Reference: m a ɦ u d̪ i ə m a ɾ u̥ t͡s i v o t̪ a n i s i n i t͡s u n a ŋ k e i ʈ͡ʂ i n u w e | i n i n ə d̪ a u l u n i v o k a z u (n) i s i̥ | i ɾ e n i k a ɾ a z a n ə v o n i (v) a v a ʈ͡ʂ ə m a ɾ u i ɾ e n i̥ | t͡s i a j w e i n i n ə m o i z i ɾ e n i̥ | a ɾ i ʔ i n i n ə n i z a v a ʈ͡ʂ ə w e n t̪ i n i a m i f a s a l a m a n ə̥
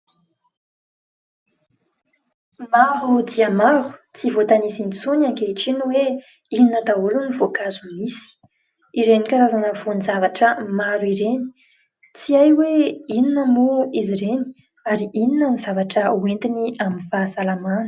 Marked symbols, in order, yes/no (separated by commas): no, no